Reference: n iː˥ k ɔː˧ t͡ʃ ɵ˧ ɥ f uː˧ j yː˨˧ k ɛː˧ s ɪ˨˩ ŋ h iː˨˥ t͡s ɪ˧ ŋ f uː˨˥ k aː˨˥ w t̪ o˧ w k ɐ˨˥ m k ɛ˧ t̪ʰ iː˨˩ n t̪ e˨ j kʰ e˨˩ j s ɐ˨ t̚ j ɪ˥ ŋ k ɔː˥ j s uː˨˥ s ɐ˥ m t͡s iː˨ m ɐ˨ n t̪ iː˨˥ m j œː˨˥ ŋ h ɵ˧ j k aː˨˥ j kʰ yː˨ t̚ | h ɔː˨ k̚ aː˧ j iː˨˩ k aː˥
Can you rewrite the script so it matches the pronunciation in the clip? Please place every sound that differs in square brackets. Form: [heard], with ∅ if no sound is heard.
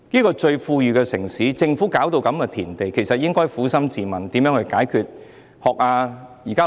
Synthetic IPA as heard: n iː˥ k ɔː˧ t͡ʃ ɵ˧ ɥ f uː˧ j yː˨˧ k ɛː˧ s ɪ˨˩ ŋ [s] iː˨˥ t͡s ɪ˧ ŋ f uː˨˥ k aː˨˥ w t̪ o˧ w k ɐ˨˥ m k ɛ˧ t̪ʰ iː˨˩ n t̪ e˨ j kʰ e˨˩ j s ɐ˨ t̚ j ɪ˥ ŋ k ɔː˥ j [f] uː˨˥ s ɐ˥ m t͡s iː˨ m ɐ˨ n t̪ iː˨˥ m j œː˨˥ ŋ h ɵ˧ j k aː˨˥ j kʰ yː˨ t̚ | h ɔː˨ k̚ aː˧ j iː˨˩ k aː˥